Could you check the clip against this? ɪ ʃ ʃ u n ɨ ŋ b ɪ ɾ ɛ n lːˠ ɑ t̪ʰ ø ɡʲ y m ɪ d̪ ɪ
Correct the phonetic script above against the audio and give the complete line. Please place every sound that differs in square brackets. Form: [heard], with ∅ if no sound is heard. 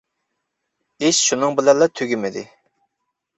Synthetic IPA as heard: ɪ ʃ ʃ u n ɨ ŋ b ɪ [l] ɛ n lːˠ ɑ t̪ʰ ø ɡʲ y m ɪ d̪ ɪ